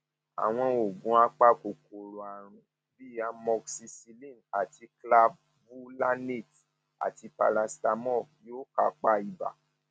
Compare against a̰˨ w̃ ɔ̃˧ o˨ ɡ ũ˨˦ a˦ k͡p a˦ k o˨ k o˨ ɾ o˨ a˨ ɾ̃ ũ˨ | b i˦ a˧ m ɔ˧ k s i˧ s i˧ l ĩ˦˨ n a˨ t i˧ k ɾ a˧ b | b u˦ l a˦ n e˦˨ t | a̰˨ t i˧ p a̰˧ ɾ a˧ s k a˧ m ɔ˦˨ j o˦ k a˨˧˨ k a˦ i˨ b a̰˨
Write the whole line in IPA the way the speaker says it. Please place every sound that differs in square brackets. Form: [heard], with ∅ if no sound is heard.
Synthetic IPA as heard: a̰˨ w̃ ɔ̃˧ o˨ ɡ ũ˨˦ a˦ k͡p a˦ k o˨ k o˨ ɾ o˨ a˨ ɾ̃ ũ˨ | b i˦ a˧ m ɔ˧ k s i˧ s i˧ l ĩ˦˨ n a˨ t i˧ k [l] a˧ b | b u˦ l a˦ n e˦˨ t | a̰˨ t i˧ p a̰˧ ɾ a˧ s [t] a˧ m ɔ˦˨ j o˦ k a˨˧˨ [k͡p] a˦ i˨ b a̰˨